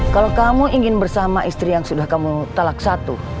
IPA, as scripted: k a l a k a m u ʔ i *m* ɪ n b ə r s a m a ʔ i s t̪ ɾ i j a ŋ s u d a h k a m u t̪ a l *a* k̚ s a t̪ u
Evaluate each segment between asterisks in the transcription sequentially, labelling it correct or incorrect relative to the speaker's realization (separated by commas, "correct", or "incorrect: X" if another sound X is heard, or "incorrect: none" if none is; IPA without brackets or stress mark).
incorrect: ŋ, correct